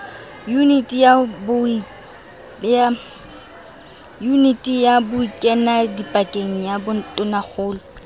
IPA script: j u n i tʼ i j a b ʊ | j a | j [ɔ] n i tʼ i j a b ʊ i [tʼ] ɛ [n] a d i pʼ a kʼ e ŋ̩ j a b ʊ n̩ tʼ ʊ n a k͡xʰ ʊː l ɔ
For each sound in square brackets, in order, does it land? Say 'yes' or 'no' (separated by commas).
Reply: no, no, yes